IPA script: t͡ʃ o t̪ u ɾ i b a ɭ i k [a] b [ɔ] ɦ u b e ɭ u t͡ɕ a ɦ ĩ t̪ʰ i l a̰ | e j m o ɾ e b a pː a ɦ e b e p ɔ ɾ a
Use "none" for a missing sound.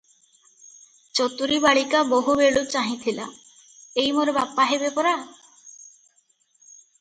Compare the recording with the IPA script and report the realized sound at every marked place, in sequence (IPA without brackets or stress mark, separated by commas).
a, o